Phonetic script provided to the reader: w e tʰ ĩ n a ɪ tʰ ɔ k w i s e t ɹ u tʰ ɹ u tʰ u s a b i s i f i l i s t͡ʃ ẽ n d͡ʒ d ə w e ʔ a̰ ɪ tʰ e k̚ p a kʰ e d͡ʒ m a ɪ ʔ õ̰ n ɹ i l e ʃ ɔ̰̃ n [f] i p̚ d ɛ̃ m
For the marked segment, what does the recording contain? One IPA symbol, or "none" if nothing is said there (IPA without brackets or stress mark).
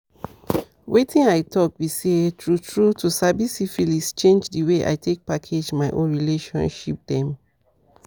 ʃ